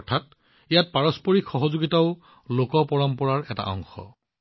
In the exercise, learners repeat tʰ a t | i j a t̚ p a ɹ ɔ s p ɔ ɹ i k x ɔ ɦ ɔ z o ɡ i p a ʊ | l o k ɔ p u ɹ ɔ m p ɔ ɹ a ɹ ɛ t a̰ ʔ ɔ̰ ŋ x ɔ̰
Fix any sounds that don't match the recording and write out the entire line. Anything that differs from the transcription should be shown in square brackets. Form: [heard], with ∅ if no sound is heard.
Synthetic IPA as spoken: tʰ a t | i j a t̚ p a ɹ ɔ s p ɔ ɹ i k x ɔ ɦ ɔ z o ɡ i [t] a ʊ | l o k ɔ p [ɔ] ɹ ɔ m p ɔ ɹ a ɹ ɛ t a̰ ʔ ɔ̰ ŋ x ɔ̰